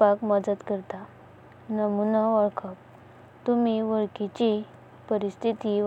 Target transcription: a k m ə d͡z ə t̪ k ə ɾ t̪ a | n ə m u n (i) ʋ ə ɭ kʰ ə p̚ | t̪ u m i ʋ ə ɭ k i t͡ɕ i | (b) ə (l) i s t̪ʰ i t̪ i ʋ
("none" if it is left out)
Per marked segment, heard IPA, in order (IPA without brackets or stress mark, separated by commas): a, p, ɾ